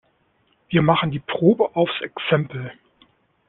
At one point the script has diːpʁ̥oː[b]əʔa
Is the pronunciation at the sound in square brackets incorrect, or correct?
correct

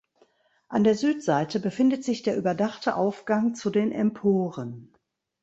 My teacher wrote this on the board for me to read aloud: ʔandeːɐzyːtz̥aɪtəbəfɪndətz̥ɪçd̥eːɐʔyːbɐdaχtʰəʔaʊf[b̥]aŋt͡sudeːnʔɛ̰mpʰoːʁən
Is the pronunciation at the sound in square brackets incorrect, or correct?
incorrect: ɡ̥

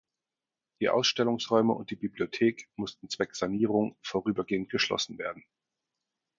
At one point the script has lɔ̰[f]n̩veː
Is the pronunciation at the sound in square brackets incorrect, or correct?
incorrect: s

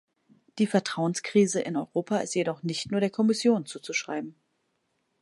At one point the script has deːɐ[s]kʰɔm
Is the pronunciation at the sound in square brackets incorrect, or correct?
incorrect: none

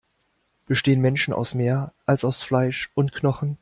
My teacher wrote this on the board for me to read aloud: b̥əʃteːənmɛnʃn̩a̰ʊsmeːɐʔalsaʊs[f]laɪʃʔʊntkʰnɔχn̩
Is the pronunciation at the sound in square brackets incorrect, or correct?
correct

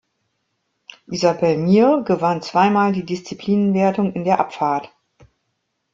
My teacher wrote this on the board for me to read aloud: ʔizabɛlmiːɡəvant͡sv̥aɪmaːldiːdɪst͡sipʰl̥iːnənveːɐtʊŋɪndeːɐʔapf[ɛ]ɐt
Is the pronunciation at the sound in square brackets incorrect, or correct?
incorrect: a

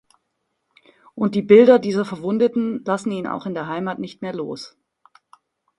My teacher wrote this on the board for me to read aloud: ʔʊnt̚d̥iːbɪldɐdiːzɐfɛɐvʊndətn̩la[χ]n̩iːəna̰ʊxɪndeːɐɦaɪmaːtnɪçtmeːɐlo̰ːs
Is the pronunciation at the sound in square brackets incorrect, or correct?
incorrect: s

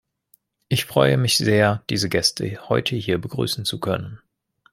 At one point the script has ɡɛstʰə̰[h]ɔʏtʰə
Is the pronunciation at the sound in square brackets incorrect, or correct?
correct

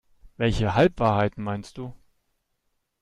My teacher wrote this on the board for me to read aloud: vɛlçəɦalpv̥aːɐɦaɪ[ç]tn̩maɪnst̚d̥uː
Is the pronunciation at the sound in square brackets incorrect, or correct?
incorrect: none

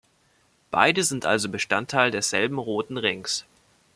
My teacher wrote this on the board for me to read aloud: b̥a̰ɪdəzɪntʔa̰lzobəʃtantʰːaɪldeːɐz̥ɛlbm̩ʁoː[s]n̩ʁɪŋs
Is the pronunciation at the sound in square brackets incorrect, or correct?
incorrect: t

